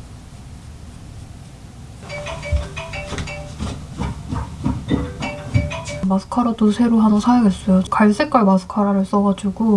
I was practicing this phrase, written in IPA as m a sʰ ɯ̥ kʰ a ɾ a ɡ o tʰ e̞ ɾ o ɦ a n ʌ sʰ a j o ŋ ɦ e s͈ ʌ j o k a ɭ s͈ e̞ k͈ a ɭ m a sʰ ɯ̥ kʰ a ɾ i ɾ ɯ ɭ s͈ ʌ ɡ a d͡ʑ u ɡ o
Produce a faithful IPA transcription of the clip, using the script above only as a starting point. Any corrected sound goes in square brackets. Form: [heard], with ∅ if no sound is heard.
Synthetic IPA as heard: m a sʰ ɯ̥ kʰ a ɾ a [d] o [sʰ] e̞ ɾ o ɦ a n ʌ sʰ a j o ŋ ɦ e s͈ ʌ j o k a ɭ s͈ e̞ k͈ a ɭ m a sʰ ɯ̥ kʰ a ɾ [a] ɾ ɯ ɭ s͈ ʌ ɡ a d͡ʑ u ɡ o